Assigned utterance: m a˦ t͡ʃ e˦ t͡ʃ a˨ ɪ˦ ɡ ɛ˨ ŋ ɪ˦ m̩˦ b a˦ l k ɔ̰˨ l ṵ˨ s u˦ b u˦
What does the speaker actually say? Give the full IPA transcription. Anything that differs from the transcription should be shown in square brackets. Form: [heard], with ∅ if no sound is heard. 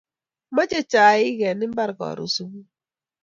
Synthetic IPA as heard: m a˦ t͡ʃ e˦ t͡ʃ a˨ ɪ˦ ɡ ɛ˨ [n] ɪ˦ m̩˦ b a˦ [ɾ] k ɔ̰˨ [ɾ] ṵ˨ s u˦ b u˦